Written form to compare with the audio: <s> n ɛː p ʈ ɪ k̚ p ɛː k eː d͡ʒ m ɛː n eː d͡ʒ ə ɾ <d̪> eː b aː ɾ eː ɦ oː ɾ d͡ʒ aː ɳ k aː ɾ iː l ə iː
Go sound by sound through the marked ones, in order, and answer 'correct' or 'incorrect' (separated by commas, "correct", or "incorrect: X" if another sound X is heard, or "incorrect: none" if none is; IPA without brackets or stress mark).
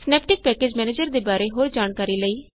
correct, correct